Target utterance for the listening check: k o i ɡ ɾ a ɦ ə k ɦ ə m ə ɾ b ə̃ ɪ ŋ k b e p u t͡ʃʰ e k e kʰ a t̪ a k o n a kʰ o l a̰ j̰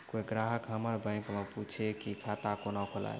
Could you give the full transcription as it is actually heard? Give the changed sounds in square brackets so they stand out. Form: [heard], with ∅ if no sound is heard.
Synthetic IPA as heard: k o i ɡ ɾ a ɦ ə k ɦ ə m ə ɾ b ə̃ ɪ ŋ k [m] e p u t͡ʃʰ e k [i] kʰ a t̪ a k o n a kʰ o l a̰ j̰